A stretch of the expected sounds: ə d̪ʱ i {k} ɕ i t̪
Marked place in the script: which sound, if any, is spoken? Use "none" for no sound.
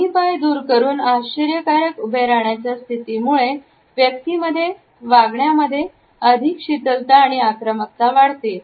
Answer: k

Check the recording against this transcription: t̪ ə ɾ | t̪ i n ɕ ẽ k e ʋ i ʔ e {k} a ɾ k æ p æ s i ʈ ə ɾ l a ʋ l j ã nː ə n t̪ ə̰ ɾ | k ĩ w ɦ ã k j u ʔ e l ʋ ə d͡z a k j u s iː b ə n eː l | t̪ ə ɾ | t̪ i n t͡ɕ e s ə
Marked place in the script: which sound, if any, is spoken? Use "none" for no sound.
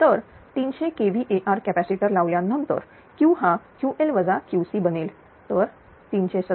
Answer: ʔ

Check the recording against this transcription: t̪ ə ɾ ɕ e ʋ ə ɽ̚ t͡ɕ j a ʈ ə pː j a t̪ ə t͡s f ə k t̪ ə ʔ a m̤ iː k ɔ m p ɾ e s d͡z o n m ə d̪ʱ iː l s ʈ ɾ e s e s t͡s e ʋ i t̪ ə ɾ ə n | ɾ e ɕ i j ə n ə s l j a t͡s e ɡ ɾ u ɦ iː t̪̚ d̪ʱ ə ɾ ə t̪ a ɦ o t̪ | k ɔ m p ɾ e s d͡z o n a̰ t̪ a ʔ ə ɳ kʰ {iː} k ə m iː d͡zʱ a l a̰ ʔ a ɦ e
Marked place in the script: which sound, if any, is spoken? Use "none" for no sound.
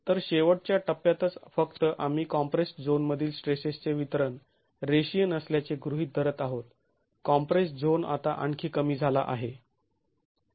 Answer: iː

